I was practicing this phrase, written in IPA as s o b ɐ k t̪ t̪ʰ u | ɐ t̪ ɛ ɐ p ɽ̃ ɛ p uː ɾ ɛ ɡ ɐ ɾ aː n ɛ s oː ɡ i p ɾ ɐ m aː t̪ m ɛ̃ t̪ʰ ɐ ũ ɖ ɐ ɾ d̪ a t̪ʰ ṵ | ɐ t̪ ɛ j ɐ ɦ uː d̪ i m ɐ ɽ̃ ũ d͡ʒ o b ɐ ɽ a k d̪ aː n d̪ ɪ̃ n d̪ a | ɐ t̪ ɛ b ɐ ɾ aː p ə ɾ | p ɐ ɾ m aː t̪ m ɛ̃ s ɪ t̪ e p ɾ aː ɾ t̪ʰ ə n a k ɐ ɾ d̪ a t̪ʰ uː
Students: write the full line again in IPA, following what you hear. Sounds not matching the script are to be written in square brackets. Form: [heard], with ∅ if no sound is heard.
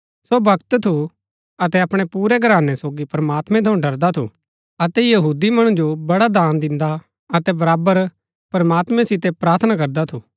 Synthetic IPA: s o b ɐ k t̪ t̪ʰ u | ɐ t̪ ɛ ɐ p ɽ̃ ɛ p uː ɾ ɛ ɡ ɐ ɾ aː n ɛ s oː ɡ i p ɾ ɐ m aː t̪ m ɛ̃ t̪ʰ ɐ ũ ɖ ɐ ɾ d̪ a t̪ʰ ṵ | ɐ t̪ ɛ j ɐ ɦ uː d̪ i m ɐ ɽ̃ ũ d͡ʒ o b ɐ ɽ a [∅] d̪ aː n d̪ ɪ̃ n d̪ a | ɐ t̪ ɛ b ɐ ɾ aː [b] ə ɾ | p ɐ ɾ m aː t̪ m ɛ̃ s ɪ t̪ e p ɾ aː ɾ t̪ʰ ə n a k ɐ ɾ d̪ a t̪ʰ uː